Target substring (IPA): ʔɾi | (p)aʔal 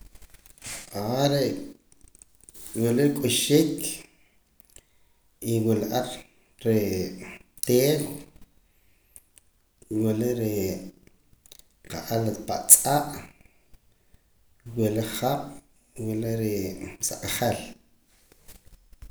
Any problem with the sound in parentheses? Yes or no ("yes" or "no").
yes